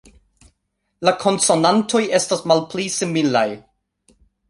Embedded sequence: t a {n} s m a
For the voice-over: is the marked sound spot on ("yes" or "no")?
no